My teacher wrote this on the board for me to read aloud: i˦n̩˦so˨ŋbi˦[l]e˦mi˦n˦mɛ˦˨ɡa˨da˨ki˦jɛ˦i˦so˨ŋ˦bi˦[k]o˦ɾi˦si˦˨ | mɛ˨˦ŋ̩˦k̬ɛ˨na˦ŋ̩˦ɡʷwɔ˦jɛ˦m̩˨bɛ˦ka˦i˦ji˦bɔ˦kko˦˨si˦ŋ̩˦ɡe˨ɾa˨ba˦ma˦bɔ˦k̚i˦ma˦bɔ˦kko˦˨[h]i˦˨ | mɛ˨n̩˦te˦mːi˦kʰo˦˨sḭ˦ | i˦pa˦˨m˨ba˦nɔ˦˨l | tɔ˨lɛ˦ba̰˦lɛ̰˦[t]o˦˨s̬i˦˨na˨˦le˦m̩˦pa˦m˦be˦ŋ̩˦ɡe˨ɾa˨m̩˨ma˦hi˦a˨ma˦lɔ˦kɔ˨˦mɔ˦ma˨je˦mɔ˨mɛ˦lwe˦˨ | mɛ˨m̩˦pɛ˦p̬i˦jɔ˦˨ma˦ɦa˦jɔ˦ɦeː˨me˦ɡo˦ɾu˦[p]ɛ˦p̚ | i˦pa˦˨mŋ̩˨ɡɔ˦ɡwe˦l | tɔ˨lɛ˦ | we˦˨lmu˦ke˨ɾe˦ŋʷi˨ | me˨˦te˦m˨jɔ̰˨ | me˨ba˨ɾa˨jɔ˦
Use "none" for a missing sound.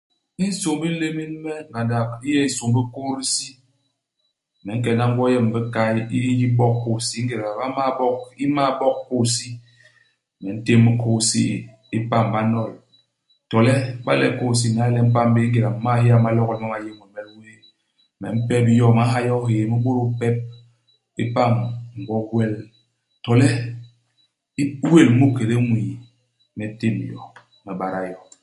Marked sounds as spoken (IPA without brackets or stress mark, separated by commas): l, k, s, k, p